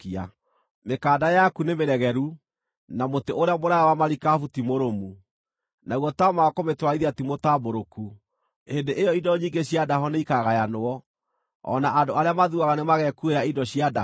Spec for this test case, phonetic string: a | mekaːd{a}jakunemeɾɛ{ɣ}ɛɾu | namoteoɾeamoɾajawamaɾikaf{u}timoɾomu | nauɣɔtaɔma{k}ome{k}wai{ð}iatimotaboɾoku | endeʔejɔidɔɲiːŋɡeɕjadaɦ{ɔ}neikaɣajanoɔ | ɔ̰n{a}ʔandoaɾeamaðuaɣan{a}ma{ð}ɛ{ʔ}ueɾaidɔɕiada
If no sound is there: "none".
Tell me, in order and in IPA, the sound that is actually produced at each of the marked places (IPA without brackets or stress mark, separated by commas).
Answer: a, ɣ, u, k, t, ð, ɔ, a, e, ɣ, k